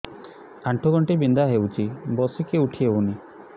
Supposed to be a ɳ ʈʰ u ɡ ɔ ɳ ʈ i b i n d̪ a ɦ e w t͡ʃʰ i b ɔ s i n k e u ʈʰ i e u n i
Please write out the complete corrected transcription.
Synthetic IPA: a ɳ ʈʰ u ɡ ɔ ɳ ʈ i b i n d̪ a ɦ e w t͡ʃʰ i b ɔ s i k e u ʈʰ i e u n i